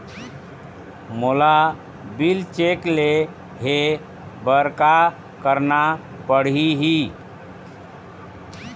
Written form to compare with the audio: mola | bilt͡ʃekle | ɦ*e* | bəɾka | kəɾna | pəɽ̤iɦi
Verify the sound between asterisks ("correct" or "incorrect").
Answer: correct